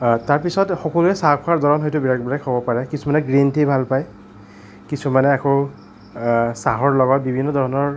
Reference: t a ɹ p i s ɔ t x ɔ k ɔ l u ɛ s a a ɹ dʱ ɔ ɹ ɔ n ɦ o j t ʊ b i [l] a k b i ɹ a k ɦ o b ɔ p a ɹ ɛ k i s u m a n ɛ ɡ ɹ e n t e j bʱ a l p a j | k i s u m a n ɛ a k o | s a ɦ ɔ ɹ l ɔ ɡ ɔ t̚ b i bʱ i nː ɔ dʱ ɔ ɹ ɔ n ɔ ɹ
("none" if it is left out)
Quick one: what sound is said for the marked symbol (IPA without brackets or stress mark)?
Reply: ɹ